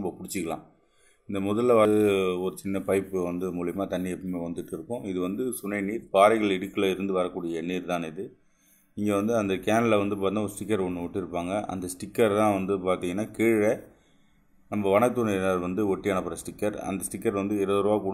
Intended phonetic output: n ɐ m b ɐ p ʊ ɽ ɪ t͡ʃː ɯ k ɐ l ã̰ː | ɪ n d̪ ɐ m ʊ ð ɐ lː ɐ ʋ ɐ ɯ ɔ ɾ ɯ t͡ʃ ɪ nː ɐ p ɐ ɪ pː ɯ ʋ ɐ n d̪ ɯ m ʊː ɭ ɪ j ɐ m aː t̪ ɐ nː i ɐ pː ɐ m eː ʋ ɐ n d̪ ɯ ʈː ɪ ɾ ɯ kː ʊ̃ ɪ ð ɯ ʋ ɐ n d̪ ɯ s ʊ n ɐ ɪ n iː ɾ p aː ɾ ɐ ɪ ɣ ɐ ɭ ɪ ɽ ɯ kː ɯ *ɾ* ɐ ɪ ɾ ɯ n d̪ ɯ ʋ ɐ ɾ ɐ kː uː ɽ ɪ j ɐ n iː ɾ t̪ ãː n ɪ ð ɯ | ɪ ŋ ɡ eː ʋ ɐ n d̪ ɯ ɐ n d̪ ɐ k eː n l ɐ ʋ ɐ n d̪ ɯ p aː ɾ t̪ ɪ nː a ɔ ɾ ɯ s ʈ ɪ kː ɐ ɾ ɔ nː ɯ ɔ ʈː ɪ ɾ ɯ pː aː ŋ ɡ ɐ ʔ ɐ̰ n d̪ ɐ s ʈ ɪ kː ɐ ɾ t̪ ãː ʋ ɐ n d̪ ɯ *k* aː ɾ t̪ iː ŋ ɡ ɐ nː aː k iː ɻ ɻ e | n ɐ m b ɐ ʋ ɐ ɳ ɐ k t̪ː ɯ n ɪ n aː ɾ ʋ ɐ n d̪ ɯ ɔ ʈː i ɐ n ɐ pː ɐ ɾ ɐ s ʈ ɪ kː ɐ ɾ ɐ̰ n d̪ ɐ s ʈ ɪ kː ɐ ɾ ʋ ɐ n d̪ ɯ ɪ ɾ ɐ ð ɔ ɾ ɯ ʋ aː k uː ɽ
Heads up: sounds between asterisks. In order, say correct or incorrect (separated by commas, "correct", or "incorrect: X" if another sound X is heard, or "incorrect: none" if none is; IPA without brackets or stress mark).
incorrect: l, incorrect: p